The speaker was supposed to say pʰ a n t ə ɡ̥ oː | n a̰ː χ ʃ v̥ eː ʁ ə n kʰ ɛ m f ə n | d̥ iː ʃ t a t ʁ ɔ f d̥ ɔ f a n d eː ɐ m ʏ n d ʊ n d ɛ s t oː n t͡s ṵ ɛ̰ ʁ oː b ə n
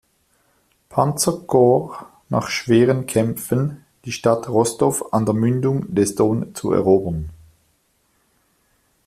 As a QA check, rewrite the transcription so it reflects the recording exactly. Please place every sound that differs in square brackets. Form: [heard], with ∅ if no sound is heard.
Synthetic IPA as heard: pʰ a n [t͡s] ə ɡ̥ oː | n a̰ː χ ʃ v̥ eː ʁ ə n kʰ ɛ m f ə n | d̥ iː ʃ t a t ʁ ɔ [s] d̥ ɔ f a n d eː ɐ m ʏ n d ʊ [ŋ] d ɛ s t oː n t͡s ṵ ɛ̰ ʁ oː b ə n